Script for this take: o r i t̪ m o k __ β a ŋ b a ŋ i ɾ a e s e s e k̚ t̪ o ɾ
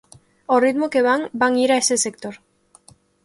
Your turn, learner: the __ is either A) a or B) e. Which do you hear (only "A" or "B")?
B